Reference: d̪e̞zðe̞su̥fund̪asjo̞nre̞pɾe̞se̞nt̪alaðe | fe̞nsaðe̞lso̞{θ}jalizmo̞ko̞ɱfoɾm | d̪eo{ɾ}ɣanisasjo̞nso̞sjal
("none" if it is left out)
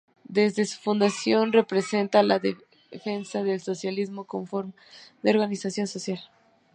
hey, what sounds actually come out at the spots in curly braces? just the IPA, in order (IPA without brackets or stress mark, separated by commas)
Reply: s, ɾ